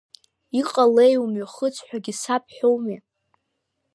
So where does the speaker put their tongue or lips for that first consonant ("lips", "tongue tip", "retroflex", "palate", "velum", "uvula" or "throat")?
uvula